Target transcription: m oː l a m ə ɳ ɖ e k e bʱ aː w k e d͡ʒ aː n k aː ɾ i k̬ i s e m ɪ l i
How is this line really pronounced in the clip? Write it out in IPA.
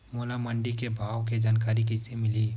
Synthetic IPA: m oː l a m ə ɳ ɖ i k e bʱ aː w k e d͡ʒ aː n k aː ɾ i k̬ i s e m ɪ l i